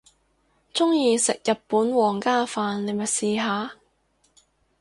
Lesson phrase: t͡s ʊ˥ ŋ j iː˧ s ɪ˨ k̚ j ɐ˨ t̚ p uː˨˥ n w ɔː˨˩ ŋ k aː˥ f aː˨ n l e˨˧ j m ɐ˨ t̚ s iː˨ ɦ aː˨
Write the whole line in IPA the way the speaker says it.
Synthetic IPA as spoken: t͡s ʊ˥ ŋ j iː˧ s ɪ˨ k̚ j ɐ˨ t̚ p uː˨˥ n w ɔː˨˩ ŋ k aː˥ f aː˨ n l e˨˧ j m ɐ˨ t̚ s iː˨ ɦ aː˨

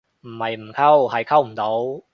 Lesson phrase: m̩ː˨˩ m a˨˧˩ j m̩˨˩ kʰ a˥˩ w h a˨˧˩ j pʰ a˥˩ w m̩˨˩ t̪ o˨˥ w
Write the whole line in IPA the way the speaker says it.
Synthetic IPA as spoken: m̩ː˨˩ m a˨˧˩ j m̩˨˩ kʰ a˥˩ w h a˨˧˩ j kʰ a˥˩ w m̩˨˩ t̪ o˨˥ w

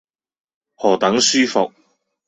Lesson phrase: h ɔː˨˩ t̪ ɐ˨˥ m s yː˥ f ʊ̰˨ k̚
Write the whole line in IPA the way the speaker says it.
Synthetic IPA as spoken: h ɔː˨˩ t̪ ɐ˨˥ ŋ s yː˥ f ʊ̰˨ k̚

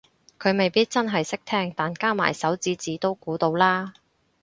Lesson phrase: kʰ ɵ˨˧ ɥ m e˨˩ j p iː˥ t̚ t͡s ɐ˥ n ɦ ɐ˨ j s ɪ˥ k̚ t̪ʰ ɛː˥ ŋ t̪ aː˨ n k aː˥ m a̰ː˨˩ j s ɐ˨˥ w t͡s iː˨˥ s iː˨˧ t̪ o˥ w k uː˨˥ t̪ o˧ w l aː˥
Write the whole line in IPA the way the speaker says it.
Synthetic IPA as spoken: kʰ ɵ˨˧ ɥ m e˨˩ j p iː˥ t̚ t͡s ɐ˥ n ɦ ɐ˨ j s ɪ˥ k̚ t̪ʰ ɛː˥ ŋ t̪ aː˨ n k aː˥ m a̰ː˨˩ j s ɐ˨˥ w t͡s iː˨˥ t͡s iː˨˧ t̪ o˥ w k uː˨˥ t̪ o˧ w l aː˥

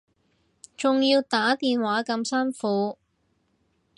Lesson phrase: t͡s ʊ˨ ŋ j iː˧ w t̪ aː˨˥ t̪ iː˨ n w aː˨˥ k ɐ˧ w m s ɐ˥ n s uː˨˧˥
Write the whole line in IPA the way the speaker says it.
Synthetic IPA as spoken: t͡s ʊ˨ ŋ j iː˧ w t̪ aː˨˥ t̪ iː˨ n w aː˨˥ k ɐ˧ m s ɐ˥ n f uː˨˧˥

